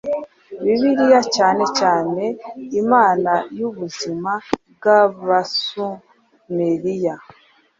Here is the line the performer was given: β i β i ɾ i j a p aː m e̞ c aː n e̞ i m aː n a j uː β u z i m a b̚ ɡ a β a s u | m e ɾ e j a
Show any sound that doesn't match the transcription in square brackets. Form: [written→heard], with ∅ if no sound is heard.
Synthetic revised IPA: β i β i ɾ i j a [p→c] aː [m→n] e̞ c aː n e̞ i m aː n a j [uː→u] β u z i m a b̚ ɡ a β a s u | m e ɾ [e→i] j a